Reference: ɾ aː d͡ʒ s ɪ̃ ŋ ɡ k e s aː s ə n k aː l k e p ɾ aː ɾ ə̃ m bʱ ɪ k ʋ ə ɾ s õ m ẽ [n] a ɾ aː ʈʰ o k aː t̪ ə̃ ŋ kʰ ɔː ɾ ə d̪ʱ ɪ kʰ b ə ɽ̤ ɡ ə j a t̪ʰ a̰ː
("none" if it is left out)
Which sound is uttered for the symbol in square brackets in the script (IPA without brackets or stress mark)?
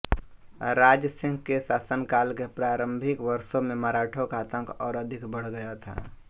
m